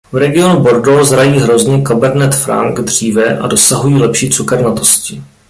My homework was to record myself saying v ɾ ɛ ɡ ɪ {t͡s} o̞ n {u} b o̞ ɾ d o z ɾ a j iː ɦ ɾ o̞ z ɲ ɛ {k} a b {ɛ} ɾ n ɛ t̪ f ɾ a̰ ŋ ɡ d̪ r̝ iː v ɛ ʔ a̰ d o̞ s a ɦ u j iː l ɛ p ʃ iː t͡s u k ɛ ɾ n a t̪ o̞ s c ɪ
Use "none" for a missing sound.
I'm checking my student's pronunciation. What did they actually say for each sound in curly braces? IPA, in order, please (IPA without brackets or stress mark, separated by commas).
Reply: none, u, k, ɛ